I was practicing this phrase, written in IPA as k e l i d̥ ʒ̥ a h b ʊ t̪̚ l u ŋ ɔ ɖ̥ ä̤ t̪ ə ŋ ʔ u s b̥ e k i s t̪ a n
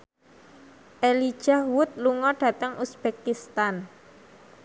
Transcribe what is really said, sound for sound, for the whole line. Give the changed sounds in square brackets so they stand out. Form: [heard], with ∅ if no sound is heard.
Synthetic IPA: [ʔ] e l i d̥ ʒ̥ a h [w] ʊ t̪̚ l u ŋ ɔ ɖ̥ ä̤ t̪ ə ŋ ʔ u s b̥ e k i s t̪ a n

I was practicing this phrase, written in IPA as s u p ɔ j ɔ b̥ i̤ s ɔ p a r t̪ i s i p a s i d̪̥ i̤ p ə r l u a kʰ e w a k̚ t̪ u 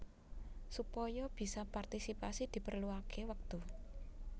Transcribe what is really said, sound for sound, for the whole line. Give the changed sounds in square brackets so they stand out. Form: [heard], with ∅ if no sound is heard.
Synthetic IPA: s u p ɔ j ɔ b̥ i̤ s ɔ p a r t̪ i s i p a s i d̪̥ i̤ p ə r l u a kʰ e w [ə] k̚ t̪ u

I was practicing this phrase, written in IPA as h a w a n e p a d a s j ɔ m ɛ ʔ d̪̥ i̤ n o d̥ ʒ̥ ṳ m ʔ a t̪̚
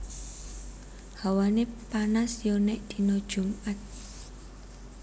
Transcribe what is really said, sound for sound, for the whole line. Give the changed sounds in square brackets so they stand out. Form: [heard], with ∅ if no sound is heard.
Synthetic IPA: h a w a n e p a [n] a s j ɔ [n] ɛ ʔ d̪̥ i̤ n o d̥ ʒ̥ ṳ m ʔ a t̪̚

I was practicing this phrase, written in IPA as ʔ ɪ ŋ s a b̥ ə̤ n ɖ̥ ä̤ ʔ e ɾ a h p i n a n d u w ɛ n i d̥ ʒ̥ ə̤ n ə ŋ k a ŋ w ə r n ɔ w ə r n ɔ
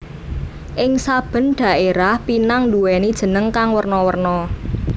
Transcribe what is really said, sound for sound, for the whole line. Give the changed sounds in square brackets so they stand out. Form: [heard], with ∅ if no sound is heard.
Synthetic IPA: ʔ ɪ ŋ s a b̥ ə̤ n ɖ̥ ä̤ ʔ e ɾ a h p i n a [ŋ] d u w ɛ n i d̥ ʒ̥ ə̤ n ə ŋ k a ŋ w ə r n ɔ w ə r n ɔ

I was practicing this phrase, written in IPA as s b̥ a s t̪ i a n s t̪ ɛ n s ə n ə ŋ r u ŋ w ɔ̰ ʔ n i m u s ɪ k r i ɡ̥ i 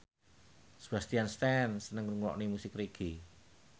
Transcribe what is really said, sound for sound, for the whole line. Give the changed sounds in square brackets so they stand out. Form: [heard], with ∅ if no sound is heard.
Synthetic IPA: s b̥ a s t̪ i a n s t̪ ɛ n s ə n ə ŋ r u ŋ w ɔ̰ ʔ n i m u s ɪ k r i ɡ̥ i

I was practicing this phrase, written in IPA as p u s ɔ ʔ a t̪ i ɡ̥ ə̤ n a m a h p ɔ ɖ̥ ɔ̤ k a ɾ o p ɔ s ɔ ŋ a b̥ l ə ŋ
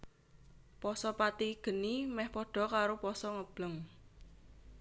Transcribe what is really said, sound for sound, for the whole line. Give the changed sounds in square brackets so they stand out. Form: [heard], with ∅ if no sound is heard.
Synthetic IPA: p [ɔ] s ɔ [p] a t̪ i ɡ̥ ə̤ n [i] m [ɛ] h p ɔ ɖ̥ ɔ̤ k a ɾ o p ɔ s ɔ ŋ [ə] b̥ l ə ŋ

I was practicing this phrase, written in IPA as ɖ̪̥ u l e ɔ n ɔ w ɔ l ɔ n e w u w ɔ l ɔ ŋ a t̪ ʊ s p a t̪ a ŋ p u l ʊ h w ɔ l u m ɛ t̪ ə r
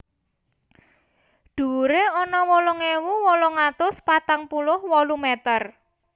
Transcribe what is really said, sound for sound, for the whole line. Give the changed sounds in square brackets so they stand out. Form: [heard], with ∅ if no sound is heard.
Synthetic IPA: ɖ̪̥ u [ɾ] e ɔ n ɔ w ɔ l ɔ [ŋ] e w u w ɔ l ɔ ŋ a t̪ ʊ s p a t̪ a ŋ p u l ʊ h w ɔ l u m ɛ t̪ ə r

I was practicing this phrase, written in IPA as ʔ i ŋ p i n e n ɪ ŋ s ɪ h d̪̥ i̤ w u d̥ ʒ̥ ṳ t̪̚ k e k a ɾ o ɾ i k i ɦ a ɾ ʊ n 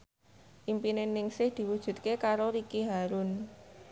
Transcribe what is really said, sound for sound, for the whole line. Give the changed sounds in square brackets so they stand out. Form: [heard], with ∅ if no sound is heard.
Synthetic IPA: ʔ i [m] p i n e n ɪ ŋ s ɪ h d̪̥ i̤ w u d̥ ʒ̥ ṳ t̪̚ k e k a ɾ o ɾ i k i ɦ a ɾ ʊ n

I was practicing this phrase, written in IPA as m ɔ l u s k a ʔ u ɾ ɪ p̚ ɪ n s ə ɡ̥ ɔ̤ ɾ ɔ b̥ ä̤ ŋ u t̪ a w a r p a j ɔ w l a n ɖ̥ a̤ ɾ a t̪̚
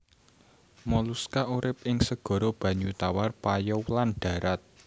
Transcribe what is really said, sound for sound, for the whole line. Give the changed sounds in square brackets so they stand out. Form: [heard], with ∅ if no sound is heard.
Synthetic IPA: m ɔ l u s k a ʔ u ɾ ɪ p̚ ɪ [ŋ] s ə ɡ̥ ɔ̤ ɾ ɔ b̥ ä̤ [ɲ] u t̪ a w a r p a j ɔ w l a n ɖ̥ a̤ ɾ a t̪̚

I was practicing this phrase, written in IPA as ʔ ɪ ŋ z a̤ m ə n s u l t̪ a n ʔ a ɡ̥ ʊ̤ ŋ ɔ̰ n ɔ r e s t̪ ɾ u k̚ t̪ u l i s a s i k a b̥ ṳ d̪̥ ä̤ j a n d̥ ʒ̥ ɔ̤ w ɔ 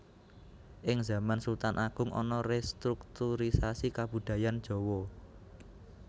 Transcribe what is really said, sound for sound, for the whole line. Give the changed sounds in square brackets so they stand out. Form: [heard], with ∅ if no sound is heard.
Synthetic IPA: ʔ ɪ ŋ z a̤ m [a] n s u l t̪ a n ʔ a ɡ̥ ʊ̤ ŋ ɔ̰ n ɔ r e s t̪ ɾ u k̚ t̪ u [ɾ] i s a s i k a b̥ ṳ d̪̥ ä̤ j a n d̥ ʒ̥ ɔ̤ w ɔ

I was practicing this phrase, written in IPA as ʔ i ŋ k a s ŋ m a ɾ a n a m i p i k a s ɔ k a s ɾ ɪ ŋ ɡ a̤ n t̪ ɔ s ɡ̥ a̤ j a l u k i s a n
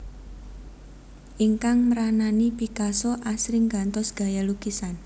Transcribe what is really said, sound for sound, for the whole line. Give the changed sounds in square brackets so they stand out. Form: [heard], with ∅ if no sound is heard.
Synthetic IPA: ʔ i ŋ k a [∅] ŋ m [ə] ɾ a n a [n] i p i k a s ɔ [ʔ] a s ɾ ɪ ŋ ɡ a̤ n t̪ ɔ s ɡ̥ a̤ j a l u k i s a n

